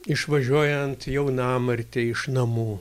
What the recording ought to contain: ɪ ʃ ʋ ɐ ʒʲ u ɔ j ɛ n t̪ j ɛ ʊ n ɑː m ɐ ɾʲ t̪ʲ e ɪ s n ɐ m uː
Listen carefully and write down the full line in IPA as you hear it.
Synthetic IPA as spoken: ɪ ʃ ʋ ɐ ʒʲ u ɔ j ɛ n t̪ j ɛ ʊ n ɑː m ɐ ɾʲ t̪ʲ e ɪ ʃ n ɐ m uː